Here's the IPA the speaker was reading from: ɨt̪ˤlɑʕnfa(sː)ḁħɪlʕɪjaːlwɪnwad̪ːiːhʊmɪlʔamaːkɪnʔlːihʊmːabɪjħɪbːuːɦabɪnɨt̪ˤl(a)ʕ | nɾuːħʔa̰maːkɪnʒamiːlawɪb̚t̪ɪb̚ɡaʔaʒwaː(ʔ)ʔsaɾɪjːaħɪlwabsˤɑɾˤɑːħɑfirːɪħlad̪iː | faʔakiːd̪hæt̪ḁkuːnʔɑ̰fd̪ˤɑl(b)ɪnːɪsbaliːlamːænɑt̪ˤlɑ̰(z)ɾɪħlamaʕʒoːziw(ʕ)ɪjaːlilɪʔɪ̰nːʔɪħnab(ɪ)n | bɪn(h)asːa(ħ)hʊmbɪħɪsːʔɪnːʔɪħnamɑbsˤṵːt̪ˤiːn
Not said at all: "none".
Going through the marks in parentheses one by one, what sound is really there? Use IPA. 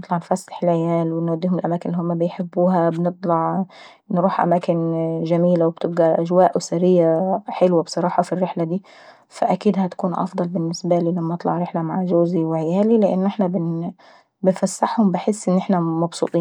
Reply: sː, ɑ, ʔ, b, ʕ, ʕ, ɪ, f, ħ

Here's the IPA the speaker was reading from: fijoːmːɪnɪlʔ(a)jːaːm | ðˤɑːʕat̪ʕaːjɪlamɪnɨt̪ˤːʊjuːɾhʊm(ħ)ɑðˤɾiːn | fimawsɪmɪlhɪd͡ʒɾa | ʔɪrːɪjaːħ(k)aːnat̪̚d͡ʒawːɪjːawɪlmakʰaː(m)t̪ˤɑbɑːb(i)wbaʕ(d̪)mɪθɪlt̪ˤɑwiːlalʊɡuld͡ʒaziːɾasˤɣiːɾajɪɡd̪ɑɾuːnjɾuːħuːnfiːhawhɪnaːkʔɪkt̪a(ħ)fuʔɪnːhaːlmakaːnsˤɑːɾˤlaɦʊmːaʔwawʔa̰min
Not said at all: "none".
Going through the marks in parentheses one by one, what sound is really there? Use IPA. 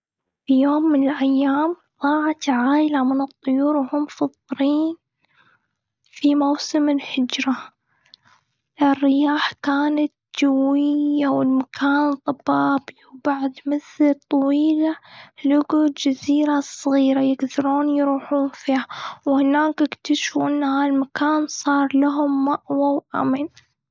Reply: a, f, k, n, i, d̪, ʃ

